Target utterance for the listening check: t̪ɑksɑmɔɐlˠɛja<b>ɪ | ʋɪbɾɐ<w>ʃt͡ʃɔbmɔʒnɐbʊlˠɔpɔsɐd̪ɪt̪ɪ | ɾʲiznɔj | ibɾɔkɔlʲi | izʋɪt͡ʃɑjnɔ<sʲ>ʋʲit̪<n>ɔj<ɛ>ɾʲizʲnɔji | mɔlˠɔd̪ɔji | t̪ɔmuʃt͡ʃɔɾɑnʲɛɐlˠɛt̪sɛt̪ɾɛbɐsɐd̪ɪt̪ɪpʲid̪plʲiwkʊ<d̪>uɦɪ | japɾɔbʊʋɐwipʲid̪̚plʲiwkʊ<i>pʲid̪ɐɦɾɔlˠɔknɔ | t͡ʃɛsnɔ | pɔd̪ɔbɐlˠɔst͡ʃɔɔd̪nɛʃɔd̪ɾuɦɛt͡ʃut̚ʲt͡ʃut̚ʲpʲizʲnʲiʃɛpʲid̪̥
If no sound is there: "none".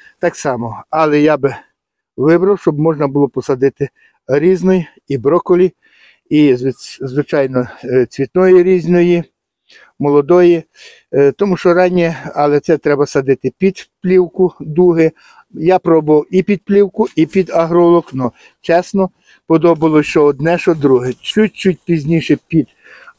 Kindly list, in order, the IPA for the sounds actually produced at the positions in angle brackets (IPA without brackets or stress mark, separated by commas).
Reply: b, w, t͡sʲ, n, i, d̪, i